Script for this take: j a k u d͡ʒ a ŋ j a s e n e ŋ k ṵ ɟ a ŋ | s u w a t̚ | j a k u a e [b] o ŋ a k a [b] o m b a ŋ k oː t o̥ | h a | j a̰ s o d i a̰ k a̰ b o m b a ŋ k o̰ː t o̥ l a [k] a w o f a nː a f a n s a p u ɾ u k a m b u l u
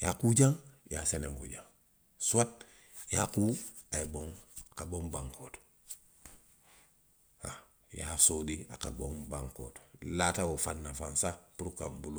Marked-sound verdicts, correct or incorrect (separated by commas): correct, correct, incorrect